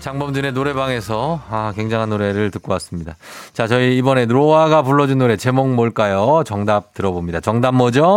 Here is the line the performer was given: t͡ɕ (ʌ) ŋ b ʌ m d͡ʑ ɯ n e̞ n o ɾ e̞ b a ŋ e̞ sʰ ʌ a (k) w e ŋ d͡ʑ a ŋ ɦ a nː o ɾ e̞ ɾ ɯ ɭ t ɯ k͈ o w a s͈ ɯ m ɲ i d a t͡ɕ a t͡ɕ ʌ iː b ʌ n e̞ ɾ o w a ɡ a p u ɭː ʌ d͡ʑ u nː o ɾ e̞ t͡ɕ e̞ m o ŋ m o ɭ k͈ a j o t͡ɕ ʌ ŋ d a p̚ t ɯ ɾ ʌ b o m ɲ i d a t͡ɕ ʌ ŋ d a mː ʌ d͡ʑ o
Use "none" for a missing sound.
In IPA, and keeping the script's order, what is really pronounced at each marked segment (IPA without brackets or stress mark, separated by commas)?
a, k